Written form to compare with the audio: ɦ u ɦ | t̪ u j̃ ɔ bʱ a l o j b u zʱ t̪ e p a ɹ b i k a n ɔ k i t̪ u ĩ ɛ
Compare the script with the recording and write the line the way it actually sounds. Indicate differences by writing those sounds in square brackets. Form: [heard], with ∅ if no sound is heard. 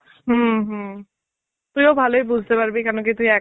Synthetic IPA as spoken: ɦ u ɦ | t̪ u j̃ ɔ bʱ a l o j b u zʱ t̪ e p a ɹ b i k a n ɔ k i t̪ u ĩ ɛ